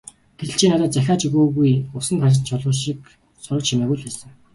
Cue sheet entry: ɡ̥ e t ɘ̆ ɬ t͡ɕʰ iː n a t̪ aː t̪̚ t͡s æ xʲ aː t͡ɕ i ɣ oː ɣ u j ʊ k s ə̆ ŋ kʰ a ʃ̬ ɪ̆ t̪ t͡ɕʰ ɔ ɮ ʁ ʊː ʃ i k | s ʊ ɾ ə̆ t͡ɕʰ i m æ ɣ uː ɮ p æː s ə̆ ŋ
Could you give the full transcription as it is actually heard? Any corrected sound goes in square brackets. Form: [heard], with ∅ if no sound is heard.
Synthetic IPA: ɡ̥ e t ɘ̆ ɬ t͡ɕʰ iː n a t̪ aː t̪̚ t͡s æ xʲ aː t͡ɕ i ɣ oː ɣ u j ʊ [∅] s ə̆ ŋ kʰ a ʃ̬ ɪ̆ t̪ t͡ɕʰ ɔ ɮ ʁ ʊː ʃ i k | s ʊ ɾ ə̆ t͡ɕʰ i m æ ɣ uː ɮ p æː s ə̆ ŋ

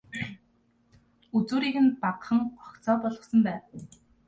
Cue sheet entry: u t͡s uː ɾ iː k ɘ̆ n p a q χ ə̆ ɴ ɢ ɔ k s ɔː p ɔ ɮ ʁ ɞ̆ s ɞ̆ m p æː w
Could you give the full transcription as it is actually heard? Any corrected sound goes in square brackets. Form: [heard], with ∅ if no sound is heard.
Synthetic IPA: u t͡s uː ɾ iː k ɘ̆ n p a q χ ə̆ [ŋ] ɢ ɔ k [t͡s] ɔː p ɔ ɮ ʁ ɞ̆ s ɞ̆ m p æː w

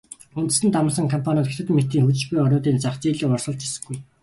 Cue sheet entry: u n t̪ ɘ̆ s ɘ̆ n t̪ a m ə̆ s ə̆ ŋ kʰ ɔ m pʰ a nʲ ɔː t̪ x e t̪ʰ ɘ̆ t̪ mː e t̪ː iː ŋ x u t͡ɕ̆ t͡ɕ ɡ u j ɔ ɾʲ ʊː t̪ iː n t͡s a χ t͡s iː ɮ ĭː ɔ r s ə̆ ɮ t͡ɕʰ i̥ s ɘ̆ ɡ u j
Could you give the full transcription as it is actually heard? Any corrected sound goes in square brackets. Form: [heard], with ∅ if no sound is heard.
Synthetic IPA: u n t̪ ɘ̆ s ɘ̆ n t̪ a m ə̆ s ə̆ ŋ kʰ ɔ m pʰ a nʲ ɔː t̪ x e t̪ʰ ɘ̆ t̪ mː e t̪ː iː ŋ x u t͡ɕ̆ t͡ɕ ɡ u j ɔ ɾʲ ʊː t̪ iː n t͡s a χ t͡s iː ɮ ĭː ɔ r s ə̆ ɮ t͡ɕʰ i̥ s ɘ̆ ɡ u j

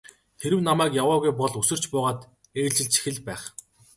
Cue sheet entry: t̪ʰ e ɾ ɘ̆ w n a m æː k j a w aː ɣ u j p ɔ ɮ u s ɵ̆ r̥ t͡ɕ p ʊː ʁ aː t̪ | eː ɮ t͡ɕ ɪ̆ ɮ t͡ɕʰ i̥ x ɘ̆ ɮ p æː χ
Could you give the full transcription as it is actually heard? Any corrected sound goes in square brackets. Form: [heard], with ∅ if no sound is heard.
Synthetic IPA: t̪ʰ e ɾ ɘ̆ w n a m æː k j a w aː ɣ u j p ɔ ɮ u s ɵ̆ r̥ t͡ɕ p ʊː ʁ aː t̪ | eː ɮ t͡ɕ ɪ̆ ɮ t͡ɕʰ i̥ x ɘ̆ ɮ p æː χ

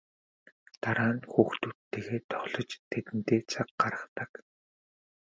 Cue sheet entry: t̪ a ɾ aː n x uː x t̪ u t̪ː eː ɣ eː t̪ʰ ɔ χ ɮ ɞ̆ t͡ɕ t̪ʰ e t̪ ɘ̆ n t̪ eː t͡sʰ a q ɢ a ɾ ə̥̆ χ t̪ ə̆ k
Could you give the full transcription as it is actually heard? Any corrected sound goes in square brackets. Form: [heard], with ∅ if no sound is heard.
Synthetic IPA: t̪ a ɾ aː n x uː x t̪ u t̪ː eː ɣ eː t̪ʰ ɔ χ ɮ ɞ̆ t͡ɕ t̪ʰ e t̪ ɘ̆ n t̪ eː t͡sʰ a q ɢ a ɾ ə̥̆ χ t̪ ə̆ k

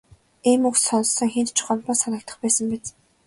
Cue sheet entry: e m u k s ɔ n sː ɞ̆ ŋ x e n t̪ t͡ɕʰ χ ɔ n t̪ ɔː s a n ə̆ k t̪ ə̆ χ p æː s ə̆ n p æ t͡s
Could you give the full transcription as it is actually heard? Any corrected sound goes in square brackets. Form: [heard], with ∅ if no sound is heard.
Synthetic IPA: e m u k s ɔ n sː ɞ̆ ŋ x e n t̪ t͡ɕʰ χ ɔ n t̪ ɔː s a n ə̆ k t̪ ə̆ χ p æː s ə̆ [m] p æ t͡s

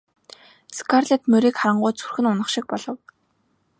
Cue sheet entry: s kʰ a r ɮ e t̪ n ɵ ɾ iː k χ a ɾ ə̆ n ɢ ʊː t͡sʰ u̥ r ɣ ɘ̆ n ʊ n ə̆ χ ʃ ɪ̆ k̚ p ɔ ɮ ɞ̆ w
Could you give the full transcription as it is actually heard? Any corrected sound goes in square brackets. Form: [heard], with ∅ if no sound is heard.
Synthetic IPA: s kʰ a r ɮ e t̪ [m] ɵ ɾ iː k χ a ɾ ə̆ [ɴ] ɢ ʊː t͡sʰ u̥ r [x] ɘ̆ n ʊ n ə̆ χ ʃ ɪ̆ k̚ p ɔ ɮ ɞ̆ w

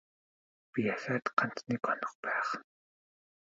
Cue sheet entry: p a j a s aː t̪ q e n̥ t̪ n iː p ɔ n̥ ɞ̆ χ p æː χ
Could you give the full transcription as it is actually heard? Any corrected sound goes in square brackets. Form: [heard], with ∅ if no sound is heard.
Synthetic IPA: p [i] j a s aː t̪ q [a] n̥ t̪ n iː [k] ɔ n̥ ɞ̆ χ p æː χ

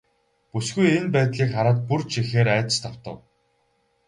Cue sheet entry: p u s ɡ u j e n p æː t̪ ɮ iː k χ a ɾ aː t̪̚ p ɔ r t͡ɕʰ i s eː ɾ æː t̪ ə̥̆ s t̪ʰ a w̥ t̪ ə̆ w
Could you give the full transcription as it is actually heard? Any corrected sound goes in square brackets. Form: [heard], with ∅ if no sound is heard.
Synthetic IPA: p u s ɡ u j e n p æː t̪ ɮ iː k χ a ɾ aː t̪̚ p [u] r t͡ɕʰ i [x] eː ɾ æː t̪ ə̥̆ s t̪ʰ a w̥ t̪ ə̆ w

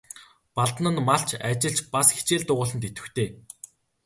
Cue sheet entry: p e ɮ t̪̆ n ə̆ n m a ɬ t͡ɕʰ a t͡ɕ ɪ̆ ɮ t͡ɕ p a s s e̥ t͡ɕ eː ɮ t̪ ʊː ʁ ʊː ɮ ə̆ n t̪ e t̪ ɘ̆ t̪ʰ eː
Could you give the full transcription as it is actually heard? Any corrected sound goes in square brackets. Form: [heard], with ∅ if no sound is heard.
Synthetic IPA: p [a] ɮ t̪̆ n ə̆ n m a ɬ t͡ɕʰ a t͡ɕ ɪ̆ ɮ t͡ɕ p a s [x] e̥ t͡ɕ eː ɮ t̪ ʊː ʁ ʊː ɮ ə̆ n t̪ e t̪ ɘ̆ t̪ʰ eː

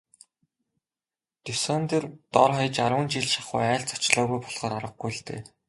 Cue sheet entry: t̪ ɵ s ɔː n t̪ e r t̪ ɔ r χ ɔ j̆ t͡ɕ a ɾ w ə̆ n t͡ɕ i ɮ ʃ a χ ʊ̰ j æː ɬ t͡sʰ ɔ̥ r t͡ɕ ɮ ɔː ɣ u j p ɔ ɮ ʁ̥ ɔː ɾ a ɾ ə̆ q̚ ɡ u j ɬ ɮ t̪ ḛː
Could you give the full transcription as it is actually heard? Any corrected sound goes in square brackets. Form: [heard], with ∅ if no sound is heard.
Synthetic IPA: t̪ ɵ s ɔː n t̪ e r t̪ ɔ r χ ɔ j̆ t͡ɕ a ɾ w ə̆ n t͡ɕ i ɮ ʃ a χ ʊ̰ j æː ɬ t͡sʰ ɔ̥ [∅] t͡ɕ ɮ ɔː ɣ u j p ɔ ɮ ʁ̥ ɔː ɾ a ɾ ə̆ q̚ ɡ u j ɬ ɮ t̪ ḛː

